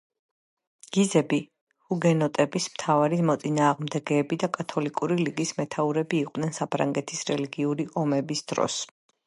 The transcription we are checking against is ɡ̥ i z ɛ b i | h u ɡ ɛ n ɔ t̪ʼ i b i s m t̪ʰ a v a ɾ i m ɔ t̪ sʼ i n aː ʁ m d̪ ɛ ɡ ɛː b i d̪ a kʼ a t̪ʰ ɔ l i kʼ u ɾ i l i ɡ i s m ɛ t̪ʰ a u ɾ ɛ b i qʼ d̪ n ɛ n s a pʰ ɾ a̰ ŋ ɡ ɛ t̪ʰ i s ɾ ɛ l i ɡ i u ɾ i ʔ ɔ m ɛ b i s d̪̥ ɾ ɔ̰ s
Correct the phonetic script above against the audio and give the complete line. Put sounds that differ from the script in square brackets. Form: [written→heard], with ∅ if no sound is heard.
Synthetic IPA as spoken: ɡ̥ i z ɛ b i | h u ɡ ɛ n ɔ t̪ʼ [i→ɛ] b i s m t̪ʰ a v a ɾ i m ɔ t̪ sʼ i n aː ʁ m d̪ ɛ ɡ ɛː b i d̪ a kʼ a t̪ʰ ɔ l i kʼ u ɾ i l i ɡ i s m ɛ t̪ʰ a u ɾ ɛ b [i→iː] qʼ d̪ n ɛ n s a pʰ ɾ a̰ ŋ ɡ ɛ t̪ʰ i s ɾ ɛ l i ɡ i u ɾ i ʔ ɔ m ɛ b i s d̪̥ ɾ ɔ̰ s